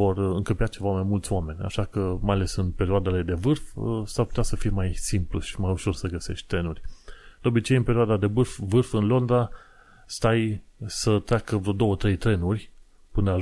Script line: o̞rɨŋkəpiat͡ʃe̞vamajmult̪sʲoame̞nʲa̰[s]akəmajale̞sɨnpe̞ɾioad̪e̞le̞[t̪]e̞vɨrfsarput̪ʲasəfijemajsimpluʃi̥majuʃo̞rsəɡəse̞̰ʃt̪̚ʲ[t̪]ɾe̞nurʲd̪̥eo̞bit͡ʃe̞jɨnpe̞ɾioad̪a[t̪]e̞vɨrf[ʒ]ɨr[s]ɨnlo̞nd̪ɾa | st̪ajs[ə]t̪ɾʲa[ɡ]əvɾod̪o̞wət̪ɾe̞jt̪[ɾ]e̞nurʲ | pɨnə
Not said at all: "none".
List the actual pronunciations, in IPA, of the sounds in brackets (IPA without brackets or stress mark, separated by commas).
ʃ, d̪, t̪, d̪, v, f, ə, k, ɾ